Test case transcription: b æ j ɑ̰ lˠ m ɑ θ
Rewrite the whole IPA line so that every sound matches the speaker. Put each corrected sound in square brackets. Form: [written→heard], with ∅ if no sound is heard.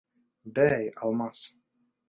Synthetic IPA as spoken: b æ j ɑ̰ lˠ m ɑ [θ→s]